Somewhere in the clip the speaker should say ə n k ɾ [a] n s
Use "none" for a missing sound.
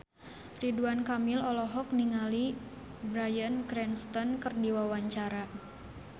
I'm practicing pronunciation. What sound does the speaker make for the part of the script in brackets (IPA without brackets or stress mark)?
ɛ